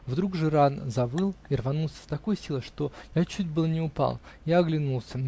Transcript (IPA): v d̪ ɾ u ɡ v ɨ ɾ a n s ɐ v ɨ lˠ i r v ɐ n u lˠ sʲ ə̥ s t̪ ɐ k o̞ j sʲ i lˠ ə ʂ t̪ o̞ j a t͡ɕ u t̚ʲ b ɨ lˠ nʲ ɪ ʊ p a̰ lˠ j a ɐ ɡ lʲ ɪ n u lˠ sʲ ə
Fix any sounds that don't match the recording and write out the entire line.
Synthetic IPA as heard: v d̪ ɾ u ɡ ʐ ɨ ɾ a n z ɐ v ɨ lˠ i r v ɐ n u lˠ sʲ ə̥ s t̪ ɐ k o̞ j sʲ i lˠ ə ʂ t̪ o̞ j a t͡ɕ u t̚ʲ b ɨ lˠ nʲ ɪ ʊ p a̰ lˠ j a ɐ ɡ lʲ ɪ n u lˠ sʲ ə